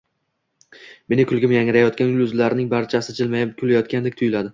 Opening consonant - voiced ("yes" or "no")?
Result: yes